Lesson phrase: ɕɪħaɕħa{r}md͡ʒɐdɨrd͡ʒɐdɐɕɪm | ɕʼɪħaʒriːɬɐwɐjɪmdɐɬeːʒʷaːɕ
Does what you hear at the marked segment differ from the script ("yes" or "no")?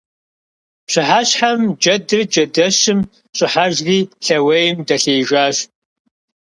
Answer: yes